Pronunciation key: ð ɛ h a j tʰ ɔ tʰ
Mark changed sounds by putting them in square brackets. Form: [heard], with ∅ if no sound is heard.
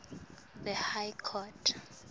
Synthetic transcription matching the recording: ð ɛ h a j [kʰ] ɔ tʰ